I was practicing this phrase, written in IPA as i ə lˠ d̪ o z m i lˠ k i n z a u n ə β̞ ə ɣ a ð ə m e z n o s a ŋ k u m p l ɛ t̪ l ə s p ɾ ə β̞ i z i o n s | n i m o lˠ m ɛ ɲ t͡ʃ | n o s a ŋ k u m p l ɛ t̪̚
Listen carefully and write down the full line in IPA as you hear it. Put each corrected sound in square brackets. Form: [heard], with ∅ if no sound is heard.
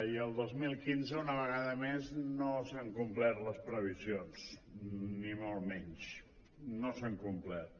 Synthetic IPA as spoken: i ə lˠ d̪ o z m i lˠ k i n z [ə] u n ə β̞ ə ɣ a ð ə m e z n o s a ŋ k u m p l ɛ t̪ l ə s p ɾ ə β̞ i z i o n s | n i m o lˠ m ɛ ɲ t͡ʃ | n o s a ŋ k u m p l ɛ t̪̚